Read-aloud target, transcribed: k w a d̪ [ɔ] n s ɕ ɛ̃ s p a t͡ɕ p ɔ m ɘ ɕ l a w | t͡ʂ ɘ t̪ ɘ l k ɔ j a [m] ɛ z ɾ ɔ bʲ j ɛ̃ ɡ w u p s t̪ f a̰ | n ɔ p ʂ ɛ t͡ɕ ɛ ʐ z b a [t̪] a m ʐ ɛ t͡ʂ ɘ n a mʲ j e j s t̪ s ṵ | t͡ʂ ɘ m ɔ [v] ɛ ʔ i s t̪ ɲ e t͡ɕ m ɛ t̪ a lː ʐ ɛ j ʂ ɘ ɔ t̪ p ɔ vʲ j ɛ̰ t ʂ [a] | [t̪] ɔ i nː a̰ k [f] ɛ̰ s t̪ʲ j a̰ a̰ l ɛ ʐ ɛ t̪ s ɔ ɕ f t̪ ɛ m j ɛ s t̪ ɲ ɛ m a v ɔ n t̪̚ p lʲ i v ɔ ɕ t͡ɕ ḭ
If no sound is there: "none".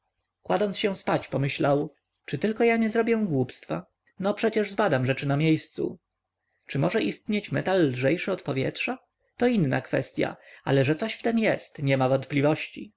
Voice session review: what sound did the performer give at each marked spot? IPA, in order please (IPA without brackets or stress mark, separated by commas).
ɔ, ɲ, d̪, ʐ, a, t̪, f